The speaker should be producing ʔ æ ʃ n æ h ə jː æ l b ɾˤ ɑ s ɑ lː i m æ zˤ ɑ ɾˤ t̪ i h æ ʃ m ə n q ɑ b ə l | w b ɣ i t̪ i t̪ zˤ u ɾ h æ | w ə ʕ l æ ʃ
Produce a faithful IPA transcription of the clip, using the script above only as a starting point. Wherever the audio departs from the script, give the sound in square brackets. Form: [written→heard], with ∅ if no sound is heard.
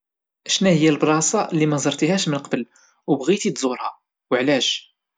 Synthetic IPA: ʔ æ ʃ n æ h ə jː æ l b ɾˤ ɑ s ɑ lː i m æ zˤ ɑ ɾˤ t̪ i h æ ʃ m ə n q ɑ b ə l | w b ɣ i t̪ i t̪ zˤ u ɾ h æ | w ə ʕ l æ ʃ